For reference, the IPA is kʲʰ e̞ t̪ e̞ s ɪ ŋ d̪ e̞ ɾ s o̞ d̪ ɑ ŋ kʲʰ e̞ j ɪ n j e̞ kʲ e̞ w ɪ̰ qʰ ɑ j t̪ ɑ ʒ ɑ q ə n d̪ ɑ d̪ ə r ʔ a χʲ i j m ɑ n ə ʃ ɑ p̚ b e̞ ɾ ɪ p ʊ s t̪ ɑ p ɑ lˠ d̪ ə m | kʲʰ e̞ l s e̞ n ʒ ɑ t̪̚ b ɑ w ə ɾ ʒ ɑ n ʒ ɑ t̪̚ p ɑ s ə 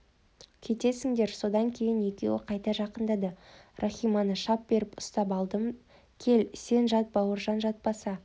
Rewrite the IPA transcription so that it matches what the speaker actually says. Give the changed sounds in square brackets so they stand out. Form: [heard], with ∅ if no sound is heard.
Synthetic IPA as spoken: kʲʰ e̞ t̪ e̞ s ɪ ŋ d̪ e̞ ɾ s o̞ d̪ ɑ ŋ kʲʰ e̞ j ɪ n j e̞ kʲ e̞ w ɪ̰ qʰ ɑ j t̪ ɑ ʒ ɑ q ə n d̪ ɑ d̪ ə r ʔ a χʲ i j m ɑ n ə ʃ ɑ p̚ b e̞ ɾ ɪ p ʊ s t̪ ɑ p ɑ lˠ d̪ ə m | kʲʰ e̞ l s e̞ n ʒ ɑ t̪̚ b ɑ w ə ɾ ʒ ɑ n ʒ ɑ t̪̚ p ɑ s [ɑ]